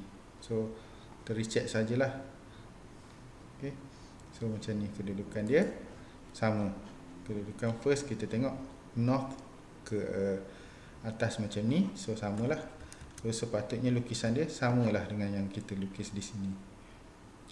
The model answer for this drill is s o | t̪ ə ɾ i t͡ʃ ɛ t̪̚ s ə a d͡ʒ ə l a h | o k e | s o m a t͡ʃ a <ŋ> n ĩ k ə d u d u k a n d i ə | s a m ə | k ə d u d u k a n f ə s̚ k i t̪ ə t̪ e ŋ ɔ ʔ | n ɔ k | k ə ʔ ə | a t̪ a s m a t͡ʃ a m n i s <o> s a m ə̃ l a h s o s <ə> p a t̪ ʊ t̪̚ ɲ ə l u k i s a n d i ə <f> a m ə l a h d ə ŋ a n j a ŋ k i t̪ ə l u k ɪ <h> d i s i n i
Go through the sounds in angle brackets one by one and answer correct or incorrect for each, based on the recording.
incorrect: m, correct, correct, incorrect: s, incorrect: s

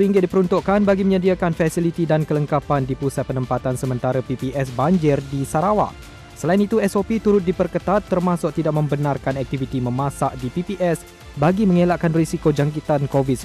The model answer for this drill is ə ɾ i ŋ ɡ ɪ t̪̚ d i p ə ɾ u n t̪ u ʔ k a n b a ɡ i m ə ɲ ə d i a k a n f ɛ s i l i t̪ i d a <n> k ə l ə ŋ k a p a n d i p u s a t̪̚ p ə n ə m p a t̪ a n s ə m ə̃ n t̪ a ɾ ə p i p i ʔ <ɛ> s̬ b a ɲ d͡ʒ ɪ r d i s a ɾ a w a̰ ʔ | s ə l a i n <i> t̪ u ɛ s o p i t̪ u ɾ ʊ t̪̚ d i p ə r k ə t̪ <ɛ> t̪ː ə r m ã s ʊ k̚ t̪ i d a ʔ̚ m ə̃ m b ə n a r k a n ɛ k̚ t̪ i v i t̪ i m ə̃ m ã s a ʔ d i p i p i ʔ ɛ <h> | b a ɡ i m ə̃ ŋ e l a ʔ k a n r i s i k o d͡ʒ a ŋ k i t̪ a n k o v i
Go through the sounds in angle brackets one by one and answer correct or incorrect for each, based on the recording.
correct, correct, correct, incorrect: a, incorrect: s

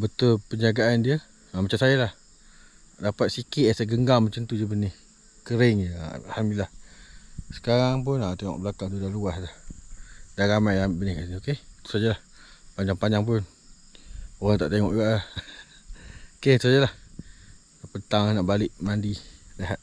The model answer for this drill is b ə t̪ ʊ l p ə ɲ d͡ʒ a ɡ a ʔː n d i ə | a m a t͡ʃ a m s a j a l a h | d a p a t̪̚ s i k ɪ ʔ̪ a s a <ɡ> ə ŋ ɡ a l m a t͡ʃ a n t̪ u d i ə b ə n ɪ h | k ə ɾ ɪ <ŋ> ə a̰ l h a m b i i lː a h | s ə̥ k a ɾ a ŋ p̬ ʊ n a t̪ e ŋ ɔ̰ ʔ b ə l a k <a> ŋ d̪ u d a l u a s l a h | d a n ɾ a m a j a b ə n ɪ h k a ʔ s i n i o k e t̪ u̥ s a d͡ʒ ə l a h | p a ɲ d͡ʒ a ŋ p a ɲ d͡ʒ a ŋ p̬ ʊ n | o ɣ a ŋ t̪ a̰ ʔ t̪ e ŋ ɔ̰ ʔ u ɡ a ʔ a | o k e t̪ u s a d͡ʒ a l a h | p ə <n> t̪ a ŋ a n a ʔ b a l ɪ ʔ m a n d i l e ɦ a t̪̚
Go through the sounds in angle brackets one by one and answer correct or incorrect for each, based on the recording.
correct, correct, correct, correct

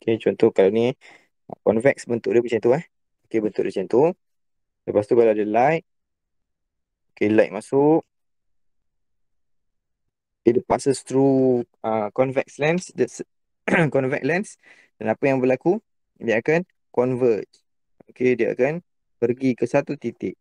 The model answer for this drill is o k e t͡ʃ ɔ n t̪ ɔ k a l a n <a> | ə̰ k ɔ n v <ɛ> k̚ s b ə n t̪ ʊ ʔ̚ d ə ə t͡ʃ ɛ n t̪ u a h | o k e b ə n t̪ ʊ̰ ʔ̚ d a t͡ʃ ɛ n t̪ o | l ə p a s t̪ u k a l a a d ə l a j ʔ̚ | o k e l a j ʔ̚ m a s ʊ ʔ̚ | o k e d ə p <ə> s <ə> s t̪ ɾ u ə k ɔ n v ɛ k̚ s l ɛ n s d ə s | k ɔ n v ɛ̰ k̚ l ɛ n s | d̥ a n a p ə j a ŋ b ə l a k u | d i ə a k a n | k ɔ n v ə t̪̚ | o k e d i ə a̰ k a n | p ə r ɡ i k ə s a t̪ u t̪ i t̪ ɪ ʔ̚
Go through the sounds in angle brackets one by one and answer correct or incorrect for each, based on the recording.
incorrect: i, correct, incorrect: a, correct

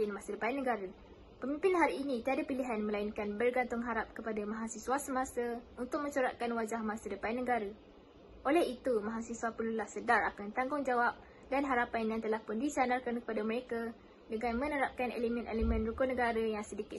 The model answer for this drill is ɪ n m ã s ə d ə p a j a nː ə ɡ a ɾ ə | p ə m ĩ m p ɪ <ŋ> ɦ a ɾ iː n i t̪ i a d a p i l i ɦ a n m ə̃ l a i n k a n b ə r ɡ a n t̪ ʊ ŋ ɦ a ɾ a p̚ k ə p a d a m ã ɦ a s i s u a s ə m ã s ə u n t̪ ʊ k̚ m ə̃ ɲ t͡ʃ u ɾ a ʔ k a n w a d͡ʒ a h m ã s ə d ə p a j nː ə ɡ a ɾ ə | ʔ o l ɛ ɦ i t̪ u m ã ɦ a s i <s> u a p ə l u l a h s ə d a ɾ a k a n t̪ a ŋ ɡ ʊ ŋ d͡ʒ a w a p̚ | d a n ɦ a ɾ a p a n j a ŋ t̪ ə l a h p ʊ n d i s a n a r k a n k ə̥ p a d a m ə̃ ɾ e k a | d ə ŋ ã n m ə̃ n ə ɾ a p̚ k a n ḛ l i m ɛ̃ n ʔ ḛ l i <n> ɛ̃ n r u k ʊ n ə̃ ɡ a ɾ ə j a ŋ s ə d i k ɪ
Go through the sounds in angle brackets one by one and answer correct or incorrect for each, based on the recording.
incorrect: n, correct, incorrect: m

